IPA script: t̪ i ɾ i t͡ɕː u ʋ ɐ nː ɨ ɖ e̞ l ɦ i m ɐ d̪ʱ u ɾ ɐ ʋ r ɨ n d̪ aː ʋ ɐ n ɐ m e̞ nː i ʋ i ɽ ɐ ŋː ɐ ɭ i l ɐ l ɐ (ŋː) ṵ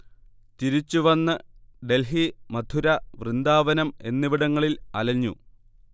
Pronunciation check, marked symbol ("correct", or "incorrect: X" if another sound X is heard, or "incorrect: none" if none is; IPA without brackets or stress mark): incorrect: ɲː